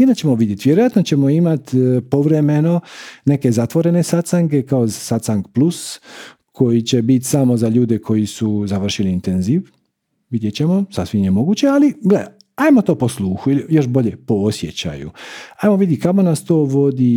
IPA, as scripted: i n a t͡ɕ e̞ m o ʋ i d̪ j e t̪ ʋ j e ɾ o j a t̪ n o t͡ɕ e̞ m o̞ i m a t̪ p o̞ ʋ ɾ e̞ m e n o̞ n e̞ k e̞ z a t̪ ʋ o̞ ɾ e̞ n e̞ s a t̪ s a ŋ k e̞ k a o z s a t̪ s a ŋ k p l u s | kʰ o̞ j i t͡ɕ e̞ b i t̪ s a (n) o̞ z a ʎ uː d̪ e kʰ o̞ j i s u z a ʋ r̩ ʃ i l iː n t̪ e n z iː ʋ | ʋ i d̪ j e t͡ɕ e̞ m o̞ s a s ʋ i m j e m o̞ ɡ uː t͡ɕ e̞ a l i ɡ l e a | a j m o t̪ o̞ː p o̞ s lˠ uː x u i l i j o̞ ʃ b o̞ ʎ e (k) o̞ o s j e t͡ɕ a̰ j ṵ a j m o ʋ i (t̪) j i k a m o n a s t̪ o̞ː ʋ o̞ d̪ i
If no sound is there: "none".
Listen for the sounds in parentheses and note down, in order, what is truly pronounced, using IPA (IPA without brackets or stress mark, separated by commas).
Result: m, p, d̪